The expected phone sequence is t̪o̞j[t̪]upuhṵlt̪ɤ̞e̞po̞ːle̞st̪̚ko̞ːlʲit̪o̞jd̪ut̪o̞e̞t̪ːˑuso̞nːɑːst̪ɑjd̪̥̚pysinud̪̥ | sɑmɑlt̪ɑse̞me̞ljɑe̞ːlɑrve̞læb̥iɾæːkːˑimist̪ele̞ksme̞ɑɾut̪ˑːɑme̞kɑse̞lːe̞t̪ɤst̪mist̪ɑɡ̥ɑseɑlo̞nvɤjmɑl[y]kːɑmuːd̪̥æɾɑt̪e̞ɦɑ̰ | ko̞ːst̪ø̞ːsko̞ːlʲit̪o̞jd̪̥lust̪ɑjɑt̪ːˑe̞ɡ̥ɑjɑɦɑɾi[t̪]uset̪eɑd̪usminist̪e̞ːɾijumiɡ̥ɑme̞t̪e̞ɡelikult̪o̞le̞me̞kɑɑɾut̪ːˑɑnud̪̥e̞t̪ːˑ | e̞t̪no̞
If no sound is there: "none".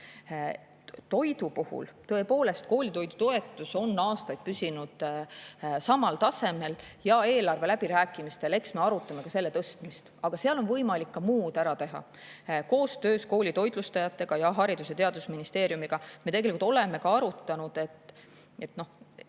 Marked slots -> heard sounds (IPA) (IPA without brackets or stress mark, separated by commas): d̪, i, d̪